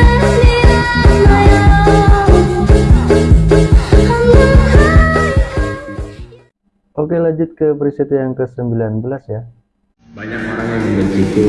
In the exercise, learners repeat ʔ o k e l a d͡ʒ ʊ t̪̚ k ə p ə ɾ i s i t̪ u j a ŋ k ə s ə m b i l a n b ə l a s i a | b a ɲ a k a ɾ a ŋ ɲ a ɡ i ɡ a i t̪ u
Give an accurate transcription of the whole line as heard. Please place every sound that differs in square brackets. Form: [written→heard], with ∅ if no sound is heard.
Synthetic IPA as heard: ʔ o k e l a d͡ʒ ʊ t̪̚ k ə p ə ɾ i s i t̪ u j a ŋ k ə s ə m b i l a n b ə l a s [i→j] a | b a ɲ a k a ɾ a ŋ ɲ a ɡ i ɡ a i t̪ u